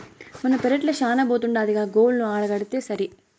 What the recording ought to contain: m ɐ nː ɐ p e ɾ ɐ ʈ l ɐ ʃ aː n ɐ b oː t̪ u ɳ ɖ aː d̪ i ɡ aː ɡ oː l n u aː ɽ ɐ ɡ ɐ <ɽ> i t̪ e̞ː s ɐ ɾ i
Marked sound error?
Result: no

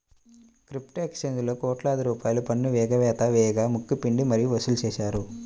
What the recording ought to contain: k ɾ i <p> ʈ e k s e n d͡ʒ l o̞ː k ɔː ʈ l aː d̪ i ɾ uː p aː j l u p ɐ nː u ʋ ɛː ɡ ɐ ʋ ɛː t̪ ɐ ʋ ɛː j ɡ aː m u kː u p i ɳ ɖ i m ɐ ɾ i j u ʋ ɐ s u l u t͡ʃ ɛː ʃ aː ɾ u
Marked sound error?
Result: no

